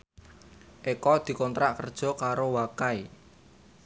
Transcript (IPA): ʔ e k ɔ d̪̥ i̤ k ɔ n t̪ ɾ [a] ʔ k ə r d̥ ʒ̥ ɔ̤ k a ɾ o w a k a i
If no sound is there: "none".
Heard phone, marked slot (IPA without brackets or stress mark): a